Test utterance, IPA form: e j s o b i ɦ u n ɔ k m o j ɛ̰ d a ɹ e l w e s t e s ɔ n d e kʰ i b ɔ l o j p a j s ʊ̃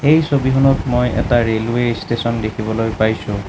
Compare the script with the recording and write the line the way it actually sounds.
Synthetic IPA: e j s o b i ɦ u n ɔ t m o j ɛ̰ t a ɹ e l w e s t e s ɔ n d e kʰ i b ɔ l o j p a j s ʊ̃

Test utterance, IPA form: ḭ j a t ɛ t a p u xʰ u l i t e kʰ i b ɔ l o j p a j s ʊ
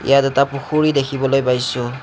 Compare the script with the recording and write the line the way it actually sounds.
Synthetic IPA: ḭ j a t ɛ t a p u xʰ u ɹ i d e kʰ i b ɔ l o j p a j s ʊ

